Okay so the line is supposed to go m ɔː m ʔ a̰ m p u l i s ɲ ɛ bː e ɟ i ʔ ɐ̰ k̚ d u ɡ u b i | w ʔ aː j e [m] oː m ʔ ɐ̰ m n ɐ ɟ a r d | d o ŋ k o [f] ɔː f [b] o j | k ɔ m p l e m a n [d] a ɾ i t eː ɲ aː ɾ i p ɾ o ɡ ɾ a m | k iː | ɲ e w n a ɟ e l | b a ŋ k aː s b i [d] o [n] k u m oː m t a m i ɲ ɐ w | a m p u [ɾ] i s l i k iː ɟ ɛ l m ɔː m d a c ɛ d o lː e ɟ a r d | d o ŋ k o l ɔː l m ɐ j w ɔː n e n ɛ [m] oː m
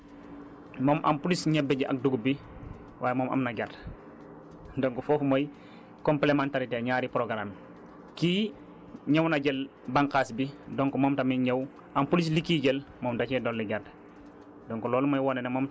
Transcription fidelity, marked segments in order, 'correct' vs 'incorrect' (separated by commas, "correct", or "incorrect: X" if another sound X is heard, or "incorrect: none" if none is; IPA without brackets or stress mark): correct, correct, incorrect: m, incorrect: t, correct, incorrect: ŋ, incorrect: l, correct